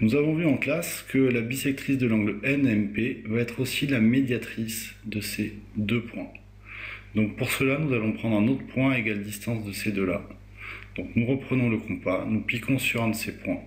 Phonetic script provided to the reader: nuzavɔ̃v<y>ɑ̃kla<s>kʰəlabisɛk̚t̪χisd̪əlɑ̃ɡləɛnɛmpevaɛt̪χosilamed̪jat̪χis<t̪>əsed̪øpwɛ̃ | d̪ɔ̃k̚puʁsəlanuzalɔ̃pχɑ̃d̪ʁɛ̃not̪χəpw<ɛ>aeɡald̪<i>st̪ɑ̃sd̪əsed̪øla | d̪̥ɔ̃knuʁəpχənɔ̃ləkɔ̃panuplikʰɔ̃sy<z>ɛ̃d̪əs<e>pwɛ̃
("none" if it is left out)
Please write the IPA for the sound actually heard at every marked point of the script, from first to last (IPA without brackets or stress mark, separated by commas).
y, s, d̪, ɛ̃, i, ʁ, e